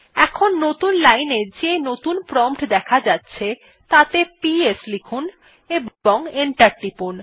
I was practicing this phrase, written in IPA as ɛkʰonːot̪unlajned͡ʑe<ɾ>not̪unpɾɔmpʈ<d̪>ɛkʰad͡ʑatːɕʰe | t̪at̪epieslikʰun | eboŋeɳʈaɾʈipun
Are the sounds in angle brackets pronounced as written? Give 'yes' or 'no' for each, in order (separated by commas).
no, yes